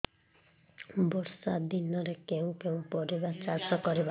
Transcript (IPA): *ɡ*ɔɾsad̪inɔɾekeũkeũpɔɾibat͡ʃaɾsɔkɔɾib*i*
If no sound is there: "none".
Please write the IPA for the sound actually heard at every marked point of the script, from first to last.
b, a

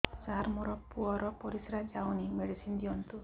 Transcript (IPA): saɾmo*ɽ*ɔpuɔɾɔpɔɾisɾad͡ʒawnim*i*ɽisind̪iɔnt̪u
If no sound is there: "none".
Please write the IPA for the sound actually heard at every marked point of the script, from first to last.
ɾ, e

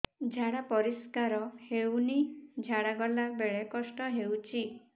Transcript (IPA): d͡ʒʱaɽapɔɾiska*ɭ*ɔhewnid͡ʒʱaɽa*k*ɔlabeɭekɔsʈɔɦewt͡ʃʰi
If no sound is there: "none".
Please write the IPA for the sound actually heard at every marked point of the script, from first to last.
ɾ, ɡ

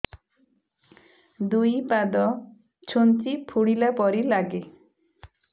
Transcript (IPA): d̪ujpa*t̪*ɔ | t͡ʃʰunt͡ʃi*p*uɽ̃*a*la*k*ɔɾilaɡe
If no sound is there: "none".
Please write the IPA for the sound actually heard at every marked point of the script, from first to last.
d̪, pʰ, i, p

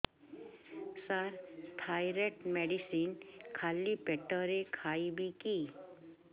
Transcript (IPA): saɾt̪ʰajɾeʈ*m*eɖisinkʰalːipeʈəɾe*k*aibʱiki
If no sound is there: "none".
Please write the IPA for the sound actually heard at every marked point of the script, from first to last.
m, kʰ

